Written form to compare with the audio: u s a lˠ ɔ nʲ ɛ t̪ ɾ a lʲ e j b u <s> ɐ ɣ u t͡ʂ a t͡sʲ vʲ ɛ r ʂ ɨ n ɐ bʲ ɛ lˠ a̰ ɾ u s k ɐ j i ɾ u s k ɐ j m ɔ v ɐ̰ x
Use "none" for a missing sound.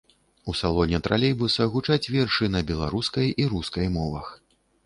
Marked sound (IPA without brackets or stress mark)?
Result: s